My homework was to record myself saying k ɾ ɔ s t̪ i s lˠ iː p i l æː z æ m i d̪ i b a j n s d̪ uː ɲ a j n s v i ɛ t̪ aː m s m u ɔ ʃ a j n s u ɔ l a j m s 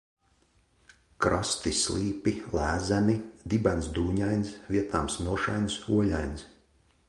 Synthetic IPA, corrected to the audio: k ɾ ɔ s t̪ i s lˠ iː p i l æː z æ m i d̪ i b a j n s d̪ uː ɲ a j n s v i ɛ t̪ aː m s n u ɔ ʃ a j n s u ɔ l a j n s